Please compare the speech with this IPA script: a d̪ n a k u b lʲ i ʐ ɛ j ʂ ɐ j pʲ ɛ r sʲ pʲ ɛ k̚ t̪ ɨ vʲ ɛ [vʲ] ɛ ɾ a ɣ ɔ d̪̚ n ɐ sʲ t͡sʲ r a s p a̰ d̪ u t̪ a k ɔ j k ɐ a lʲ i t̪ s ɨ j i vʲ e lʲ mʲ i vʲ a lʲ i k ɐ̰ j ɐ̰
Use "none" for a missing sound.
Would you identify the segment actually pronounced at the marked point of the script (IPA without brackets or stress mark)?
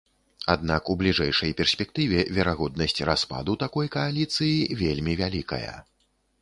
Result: vʲ